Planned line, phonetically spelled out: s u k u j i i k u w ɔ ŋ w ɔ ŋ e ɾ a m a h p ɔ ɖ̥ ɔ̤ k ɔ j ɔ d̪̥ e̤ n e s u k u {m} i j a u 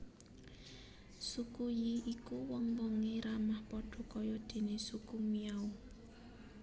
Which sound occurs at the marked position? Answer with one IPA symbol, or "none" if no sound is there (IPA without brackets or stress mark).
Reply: m